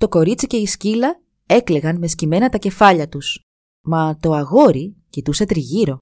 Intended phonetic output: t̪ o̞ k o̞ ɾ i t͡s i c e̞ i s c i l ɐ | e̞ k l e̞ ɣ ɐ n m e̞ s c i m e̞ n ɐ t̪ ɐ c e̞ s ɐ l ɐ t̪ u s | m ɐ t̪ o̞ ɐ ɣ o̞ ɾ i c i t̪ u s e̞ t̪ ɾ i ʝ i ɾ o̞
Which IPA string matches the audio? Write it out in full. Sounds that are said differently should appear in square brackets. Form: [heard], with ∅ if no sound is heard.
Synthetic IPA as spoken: t̪ o̞ k o̞ ɾ i t͡s i c e̞ i s c i l ɐ | e̞ k l e̞ ɣ ɐ n m e̞ s c i m e̞ n ɐ t̪ ɐ c e̞ [f] ɐ [ʎ] ɐ t̪ u s | m ɐ t̪ o̞ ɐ ɣ o̞ ɾ i c i t̪ u s e̞ t̪ ɾ i ʝ i ɾ o̞